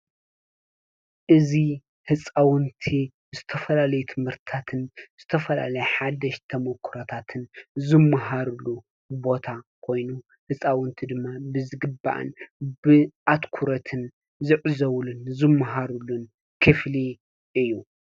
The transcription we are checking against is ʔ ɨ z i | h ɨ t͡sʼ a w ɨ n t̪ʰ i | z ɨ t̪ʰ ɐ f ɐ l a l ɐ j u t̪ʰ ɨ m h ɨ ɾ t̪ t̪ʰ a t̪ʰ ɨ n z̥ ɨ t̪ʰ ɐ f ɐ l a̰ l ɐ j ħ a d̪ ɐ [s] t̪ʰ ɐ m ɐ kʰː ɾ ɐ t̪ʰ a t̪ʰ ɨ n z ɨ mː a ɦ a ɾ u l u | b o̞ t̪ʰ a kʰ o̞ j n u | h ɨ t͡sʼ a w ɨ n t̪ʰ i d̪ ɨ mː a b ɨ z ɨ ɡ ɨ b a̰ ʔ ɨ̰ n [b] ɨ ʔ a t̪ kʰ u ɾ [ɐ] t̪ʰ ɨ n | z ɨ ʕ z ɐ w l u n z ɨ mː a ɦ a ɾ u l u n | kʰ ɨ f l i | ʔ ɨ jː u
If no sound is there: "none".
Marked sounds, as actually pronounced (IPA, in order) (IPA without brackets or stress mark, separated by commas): ʃ, b, ɐ